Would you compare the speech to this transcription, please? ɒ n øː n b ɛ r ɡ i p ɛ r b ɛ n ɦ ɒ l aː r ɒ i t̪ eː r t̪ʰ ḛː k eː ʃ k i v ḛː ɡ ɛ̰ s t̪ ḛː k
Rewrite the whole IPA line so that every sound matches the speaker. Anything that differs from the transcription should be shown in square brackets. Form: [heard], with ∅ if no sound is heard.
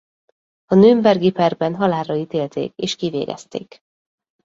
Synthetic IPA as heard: ɒ n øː [m] b ɛ r ɡ i p ɛ r b ɛ n ɦ ɒ l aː r ɒ i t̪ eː [l] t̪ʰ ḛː k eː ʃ k i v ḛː ɡ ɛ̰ s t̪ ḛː k